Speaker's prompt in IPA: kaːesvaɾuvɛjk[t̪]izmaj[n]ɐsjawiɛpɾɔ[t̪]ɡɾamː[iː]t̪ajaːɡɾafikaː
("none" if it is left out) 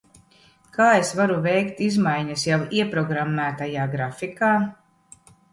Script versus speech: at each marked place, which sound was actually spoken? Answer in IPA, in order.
t̪, ɲ, none, æː

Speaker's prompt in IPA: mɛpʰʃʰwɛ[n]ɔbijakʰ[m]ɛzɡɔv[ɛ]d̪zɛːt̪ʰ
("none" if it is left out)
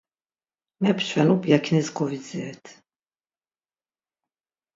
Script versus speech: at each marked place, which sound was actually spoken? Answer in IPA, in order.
n, n, i

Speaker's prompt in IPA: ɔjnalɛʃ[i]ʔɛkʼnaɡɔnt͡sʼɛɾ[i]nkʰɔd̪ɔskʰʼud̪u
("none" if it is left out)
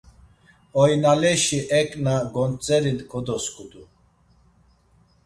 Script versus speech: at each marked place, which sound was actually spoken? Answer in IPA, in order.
i, i

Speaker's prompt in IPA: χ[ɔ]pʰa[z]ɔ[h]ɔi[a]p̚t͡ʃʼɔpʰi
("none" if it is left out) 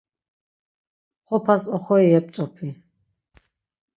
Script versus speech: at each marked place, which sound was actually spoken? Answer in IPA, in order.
ɔ, s, χ, ɛ

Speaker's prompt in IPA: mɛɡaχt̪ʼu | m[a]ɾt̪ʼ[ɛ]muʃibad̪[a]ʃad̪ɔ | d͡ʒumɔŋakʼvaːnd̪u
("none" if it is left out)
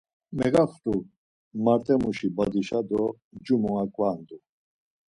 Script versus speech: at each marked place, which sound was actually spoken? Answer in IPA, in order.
a, ɛ, i

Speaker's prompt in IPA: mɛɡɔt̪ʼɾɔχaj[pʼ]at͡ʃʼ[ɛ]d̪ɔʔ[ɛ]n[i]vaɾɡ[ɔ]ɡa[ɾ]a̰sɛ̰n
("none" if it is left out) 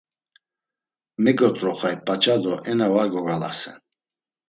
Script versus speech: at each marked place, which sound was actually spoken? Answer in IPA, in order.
pʼ, a, ɛ, a, ɔ, l

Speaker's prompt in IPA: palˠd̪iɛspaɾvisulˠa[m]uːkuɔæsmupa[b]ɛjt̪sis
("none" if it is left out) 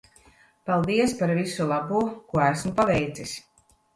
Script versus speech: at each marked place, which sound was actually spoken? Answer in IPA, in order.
b, v

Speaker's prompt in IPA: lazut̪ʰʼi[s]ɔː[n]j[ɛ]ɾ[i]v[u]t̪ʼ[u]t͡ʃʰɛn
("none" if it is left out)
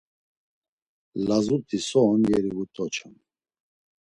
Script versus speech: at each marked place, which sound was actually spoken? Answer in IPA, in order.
s, n, ɛ, i, u, ɔ

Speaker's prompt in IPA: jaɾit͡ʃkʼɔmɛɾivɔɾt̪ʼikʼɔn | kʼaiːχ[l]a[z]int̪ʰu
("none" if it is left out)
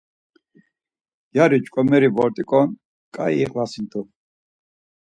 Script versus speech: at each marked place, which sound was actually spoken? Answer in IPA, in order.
l, s

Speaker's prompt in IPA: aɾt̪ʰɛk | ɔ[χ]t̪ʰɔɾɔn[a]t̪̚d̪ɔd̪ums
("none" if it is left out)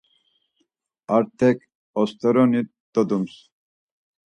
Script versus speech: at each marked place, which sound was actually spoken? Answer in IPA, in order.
s, i

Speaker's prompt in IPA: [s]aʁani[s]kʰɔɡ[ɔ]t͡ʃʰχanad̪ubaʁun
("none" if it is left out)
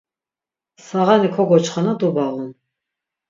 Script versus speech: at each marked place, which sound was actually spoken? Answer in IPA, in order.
s, none, ɔ

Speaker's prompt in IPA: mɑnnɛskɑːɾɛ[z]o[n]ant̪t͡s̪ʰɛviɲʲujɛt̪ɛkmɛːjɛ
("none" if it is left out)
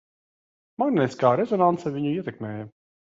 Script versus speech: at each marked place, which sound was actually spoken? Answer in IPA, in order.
z, n

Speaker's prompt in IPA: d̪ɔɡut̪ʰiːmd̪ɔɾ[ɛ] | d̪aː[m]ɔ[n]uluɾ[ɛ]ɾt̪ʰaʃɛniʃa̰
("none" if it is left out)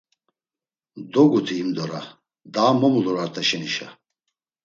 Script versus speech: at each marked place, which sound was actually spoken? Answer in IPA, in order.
a, m, m, a

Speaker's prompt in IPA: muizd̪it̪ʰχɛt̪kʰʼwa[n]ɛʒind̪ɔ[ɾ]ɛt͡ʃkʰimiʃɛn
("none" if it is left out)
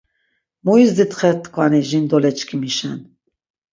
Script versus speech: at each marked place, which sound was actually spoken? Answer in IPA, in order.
n, l

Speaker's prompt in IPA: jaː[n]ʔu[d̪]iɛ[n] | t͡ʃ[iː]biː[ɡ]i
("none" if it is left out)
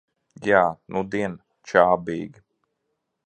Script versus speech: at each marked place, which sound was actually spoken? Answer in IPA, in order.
n, d̪, n, aː, ɡ

